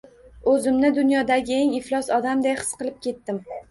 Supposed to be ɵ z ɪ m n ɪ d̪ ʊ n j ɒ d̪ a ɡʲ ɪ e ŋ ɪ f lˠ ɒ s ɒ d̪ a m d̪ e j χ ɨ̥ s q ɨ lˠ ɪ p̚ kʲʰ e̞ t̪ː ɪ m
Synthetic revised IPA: ɵ z ɪ m n ɪ d̪ ʊ n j ɒ d̪ a ɡʲ ɪ e ŋ ɪ f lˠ ɒ s ɒ d̪ a m d̪ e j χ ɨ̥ s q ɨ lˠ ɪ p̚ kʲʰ e̞ t̪ː ɪ m